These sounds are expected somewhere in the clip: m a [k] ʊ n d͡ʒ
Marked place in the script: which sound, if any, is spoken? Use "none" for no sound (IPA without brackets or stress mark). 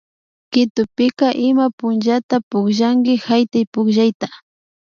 p